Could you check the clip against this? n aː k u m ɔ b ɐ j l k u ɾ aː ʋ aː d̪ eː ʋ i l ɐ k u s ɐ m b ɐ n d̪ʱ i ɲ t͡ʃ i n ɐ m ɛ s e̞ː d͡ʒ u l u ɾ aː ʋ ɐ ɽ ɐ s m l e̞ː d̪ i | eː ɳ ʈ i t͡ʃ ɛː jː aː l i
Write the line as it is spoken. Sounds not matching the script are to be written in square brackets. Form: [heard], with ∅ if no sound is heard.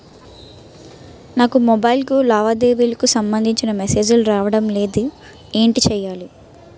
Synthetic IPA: n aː k u m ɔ b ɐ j l k u [l] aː ʋ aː d̪ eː ʋ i l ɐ k u s ɐ m b ɐ n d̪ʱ i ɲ t͡ʃ i n ɐ m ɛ s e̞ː d͡ʒ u l u ɾ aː ʋ ɐ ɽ ɐ [∅] m l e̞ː d̪ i | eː ɳ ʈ i t͡ʃ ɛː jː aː l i